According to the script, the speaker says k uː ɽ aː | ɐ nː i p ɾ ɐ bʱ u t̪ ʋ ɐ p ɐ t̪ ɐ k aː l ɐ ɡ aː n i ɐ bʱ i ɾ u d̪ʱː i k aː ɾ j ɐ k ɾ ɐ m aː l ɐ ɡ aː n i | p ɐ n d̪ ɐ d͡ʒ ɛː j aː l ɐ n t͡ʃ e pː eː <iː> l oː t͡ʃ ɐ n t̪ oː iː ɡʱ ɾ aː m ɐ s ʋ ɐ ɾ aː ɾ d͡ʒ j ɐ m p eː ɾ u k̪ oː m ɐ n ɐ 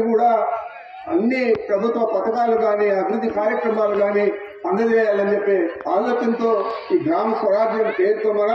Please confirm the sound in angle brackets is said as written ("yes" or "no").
no